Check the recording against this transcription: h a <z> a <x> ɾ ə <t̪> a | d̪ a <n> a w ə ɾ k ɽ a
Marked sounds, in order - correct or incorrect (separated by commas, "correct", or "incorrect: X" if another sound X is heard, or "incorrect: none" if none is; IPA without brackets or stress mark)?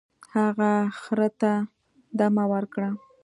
incorrect: ɣ, correct, correct, incorrect: m